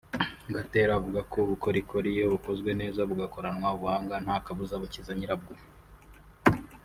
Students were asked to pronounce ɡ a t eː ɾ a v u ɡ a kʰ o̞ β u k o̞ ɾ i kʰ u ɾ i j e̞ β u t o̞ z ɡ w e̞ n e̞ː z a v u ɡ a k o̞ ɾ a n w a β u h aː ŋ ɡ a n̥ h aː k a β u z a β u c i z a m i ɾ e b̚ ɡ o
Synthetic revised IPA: ɡ a t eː ɾ a v u ɡ a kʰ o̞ β u k o̞ ɾ i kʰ o ɾ i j e̞ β u k o̞ z ɡ w e̞ n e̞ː z a β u ɡ a k o̞ ɾ a n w a β u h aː ŋ ɡ a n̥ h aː k a β u z a β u c i z a ɲ i ɾ a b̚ ɡ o